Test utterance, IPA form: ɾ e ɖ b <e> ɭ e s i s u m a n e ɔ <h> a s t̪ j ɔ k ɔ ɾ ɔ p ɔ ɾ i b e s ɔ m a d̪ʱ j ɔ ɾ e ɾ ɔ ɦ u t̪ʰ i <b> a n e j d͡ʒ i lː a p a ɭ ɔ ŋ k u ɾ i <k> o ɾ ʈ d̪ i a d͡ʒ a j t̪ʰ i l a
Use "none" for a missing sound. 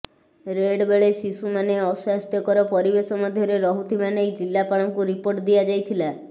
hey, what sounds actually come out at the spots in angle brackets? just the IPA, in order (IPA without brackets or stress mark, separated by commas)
e, s, m, p